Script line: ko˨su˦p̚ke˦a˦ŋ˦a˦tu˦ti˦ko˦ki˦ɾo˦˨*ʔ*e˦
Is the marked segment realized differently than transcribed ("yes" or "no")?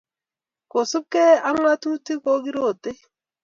yes